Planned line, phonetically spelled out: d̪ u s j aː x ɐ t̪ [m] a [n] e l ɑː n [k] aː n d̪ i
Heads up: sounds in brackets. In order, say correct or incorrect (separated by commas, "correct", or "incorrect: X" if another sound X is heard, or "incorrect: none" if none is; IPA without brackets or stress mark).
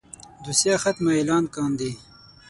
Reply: correct, incorrect: none, correct